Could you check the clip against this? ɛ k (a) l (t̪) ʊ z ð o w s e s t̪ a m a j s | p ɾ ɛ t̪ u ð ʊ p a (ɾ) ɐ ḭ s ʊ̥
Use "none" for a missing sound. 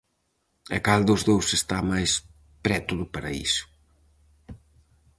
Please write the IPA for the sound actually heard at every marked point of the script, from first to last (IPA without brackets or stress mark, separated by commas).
a, d̪, ɾ